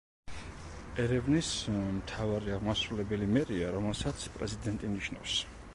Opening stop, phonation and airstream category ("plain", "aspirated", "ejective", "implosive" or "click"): aspirated